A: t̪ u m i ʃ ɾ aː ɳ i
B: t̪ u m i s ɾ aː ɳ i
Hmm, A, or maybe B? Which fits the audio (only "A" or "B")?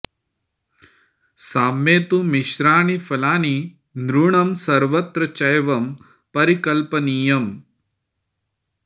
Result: A